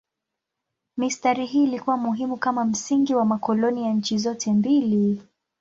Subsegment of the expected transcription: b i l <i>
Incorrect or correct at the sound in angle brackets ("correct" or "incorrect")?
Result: correct